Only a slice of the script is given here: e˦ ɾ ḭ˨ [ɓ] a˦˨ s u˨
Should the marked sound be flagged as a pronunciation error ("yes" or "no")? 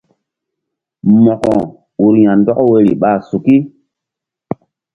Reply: no